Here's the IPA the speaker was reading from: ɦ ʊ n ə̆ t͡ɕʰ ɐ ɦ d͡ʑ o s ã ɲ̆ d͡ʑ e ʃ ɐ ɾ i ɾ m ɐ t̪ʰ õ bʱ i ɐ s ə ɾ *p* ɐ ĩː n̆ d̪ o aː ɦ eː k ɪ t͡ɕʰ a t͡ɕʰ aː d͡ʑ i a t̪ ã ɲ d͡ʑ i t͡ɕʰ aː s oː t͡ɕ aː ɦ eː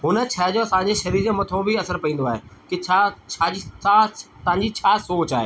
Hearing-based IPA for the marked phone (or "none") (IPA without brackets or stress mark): p